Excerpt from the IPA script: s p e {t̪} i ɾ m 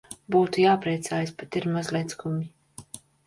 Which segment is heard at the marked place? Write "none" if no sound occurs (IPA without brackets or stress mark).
t̪